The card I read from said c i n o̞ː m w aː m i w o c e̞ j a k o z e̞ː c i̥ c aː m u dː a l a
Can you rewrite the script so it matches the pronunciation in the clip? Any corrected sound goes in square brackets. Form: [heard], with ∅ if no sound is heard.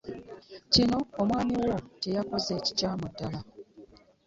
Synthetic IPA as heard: c i n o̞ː m w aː m i w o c e̞ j a k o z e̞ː c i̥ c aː m u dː a l a